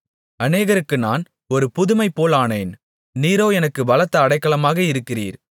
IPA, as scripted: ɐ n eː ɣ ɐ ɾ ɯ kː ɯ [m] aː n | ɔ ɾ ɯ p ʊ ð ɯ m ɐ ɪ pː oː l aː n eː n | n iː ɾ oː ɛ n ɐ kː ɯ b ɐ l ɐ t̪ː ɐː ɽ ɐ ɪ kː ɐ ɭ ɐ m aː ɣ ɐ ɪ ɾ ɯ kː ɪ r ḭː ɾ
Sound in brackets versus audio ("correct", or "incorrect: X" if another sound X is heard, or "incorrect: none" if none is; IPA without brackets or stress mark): incorrect: n